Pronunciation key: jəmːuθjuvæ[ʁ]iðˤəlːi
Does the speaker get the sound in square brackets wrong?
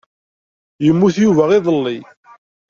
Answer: no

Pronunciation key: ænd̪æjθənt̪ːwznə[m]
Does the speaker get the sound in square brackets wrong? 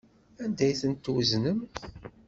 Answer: no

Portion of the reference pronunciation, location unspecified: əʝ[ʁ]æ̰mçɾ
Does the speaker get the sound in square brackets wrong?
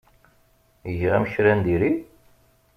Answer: no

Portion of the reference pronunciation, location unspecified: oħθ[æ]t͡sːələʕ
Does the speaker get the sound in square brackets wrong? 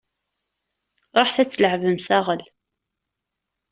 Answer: no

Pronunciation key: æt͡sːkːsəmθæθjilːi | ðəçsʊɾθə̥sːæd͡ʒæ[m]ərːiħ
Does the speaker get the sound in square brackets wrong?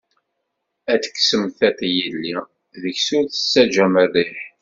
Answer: no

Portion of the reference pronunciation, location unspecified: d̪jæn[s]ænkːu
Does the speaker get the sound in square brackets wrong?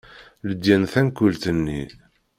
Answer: yes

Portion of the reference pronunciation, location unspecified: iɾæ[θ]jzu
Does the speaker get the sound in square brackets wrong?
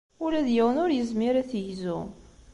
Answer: no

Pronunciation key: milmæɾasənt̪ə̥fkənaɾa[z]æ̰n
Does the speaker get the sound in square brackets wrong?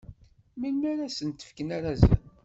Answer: no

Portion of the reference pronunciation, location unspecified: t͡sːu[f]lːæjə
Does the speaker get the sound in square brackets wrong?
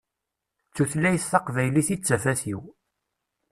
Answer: yes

